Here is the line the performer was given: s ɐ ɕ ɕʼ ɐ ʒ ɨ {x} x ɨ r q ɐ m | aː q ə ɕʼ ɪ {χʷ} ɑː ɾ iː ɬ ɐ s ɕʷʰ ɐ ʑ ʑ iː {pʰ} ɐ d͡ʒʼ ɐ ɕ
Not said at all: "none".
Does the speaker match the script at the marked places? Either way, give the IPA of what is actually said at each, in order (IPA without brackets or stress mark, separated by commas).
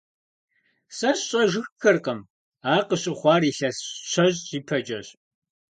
x, χʷ, pʰ